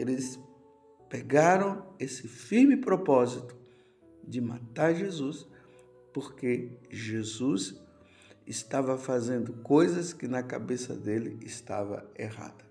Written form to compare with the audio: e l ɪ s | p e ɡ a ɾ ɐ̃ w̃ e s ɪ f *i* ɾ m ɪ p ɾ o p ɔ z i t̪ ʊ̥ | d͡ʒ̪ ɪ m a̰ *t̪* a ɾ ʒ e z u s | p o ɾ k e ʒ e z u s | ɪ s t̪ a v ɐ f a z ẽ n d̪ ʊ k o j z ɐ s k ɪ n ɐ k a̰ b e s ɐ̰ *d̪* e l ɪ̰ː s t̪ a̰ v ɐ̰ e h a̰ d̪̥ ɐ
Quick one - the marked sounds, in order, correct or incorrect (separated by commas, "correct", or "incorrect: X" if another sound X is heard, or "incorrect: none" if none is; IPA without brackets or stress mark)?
correct, correct, correct